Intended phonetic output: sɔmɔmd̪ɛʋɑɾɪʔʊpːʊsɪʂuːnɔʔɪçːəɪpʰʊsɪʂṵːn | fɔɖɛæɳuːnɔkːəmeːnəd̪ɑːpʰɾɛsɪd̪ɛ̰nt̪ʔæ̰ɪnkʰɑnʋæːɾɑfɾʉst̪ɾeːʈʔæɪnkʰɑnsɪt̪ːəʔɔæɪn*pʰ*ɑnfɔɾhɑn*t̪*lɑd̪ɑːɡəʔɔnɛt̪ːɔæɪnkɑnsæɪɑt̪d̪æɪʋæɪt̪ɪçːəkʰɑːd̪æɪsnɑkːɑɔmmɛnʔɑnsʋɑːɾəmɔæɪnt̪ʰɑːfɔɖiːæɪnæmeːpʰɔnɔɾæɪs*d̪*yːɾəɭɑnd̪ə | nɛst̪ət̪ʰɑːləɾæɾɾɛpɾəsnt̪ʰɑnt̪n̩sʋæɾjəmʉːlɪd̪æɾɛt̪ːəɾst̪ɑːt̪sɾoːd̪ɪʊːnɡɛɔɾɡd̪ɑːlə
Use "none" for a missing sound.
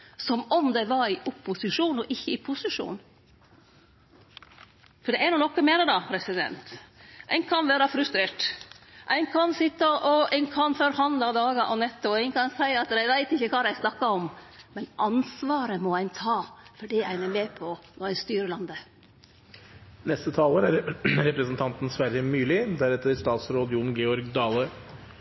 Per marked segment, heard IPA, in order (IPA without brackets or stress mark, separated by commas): kʰ, d̪, t̪